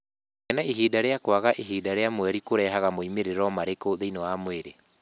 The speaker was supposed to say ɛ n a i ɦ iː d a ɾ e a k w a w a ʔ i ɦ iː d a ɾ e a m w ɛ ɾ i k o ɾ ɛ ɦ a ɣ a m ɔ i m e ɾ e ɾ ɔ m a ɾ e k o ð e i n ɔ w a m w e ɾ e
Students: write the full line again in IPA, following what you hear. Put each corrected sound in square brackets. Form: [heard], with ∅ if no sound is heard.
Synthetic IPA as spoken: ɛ n a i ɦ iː d a ɾ e a k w a [ɣ] a ʔ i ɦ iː d a ɾ e a m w ɛ ɾ i k o ɾ ɛ ɦ a ɣ a m [o] i m e ɾ e ɾ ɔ m a ɾ e k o ð e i n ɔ w a m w e ɾ e